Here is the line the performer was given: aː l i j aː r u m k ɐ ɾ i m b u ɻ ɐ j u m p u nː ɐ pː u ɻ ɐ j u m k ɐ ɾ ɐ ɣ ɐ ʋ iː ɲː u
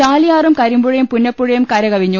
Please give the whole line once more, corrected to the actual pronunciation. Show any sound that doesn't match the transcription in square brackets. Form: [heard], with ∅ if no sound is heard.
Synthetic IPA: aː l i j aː r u m k ɐ ɾ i m b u ɻ ɐ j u m p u nː ɐ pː u ɻ ɐ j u m k ɐ ɾ ɐ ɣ ɐ ʋ [i] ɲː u